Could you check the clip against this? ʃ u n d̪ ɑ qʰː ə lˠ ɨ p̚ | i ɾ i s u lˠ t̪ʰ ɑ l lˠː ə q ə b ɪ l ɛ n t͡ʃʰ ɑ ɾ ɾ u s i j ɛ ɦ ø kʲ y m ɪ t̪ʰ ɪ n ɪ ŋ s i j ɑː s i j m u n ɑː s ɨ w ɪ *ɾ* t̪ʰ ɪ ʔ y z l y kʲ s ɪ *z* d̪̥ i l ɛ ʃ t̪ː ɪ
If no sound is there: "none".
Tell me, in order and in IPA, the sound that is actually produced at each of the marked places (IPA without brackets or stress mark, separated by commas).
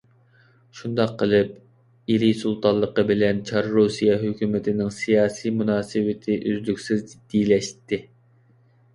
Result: none, z